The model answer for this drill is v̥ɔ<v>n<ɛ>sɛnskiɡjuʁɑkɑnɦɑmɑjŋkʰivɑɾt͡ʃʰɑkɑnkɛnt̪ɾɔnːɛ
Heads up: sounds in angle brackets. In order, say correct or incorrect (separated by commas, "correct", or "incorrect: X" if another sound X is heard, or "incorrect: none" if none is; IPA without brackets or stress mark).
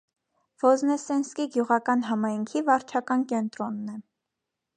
incorrect: z, correct